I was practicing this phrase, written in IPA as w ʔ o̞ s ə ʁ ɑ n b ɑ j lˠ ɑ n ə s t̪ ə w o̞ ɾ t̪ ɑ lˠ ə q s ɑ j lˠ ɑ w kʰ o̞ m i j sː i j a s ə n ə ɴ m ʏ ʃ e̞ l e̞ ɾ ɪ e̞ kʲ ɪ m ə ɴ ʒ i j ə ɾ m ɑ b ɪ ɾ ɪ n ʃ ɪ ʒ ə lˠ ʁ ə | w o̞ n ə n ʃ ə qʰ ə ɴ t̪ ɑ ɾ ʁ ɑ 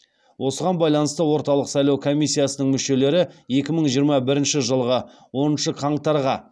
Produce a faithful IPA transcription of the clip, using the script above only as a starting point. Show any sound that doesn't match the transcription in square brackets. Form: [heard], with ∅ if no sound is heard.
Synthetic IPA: w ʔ o̞ s ə ʁ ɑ n b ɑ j lˠ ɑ n ə s t̪ ə w o̞ ɾ t̪ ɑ lˠ ə q s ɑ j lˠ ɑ w kʰ o̞ m i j sː i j a s ə n ə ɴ m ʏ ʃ e̞ l e̞ ɾ ɪ e̞ kʲ ɪ m ə ɴ ʒ i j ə ɾ m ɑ b ɪ ɾ ɪ n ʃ ɪ ʒ ə lˠ ʁ ə | w o̞ n ə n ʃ ə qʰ [ɑ] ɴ t̪ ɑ ɾ ʁ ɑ